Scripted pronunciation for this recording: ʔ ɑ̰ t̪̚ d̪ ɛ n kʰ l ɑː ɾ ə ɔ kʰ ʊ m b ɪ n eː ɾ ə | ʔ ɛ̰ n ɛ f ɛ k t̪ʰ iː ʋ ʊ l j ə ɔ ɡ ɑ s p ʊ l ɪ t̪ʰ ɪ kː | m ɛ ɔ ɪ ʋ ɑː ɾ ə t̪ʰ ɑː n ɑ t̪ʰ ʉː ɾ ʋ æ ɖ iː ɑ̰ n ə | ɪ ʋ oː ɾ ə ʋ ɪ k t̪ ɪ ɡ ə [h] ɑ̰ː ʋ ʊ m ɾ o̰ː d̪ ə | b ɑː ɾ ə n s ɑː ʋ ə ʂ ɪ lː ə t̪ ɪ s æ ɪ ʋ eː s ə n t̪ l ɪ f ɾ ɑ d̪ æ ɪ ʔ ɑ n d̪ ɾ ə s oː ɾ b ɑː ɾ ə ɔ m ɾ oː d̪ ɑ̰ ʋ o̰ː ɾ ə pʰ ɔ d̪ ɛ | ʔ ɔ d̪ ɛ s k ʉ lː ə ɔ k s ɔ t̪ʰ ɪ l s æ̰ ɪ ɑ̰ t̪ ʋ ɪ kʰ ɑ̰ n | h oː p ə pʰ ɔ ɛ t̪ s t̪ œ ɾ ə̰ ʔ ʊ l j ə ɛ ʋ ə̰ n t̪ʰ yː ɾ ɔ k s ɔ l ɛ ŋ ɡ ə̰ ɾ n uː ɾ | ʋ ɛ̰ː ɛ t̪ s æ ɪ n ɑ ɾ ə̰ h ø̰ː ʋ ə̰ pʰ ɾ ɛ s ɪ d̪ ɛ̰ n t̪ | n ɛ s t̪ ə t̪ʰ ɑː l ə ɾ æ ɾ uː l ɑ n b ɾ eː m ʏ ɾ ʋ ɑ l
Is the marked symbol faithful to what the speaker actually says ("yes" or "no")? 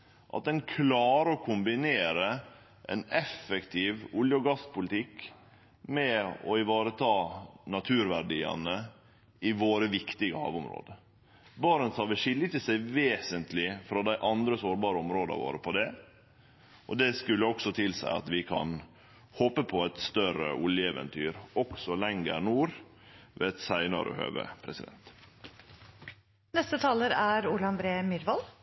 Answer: yes